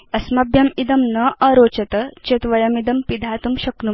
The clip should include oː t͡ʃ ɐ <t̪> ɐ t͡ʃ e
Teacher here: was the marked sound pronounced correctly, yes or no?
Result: yes